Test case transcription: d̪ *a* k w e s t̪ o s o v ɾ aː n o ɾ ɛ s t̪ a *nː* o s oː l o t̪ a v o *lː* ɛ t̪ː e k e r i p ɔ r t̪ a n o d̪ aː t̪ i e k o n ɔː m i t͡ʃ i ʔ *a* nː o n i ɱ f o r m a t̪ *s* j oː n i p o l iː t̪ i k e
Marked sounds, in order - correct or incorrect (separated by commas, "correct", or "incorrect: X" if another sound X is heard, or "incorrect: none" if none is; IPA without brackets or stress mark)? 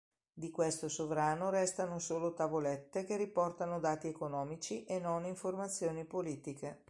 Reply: incorrect: i, incorrect: n, incorrect: l, incorrect: e, incorrect: sː